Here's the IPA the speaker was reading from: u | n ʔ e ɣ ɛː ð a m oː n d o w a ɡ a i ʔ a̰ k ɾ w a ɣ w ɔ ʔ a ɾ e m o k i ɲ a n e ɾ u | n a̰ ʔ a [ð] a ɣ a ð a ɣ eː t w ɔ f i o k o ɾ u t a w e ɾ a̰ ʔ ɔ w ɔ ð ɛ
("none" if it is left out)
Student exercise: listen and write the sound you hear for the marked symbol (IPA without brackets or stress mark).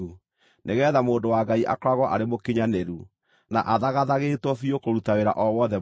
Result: ð